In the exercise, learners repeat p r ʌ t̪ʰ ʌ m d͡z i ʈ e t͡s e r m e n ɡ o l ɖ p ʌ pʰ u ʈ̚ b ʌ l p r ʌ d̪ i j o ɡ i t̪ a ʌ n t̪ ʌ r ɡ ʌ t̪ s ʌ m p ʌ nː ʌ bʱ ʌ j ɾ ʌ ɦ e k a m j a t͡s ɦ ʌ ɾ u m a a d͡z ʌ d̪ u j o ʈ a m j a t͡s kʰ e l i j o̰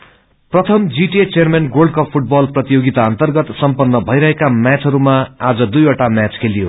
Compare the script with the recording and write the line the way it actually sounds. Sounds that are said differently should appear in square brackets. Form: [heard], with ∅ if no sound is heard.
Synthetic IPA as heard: p r ʌ t̪ʰ ʌ m d͡z i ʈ e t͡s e r m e n ɡ o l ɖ [k] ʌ pʰ u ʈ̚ b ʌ l p r ʌ [t̪] i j o ɡ i t̪ a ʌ n t̪ ʌ r ɡ ʌ t̪ s ʌ m p ʌ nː ʌ bʱ ʌ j ɾ ʌ ɦ e k a m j a t͡s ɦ ʌ ɾ u m a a d͡z ʌ d̪ u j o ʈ a m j a t͡s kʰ e l i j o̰